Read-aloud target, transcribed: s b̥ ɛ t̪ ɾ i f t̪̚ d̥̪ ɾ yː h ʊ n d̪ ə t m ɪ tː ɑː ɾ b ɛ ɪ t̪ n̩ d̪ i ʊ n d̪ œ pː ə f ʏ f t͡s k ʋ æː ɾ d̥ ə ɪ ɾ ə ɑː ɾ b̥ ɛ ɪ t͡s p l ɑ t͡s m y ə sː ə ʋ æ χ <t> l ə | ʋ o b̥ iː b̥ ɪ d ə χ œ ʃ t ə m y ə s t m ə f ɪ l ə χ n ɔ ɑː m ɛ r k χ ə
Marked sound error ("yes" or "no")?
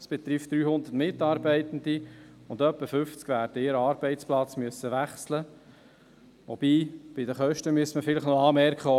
yes